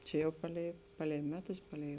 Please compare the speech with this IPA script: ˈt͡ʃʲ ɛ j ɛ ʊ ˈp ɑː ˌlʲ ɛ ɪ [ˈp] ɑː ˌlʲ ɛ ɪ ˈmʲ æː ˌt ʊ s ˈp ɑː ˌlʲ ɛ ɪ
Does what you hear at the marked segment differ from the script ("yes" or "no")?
no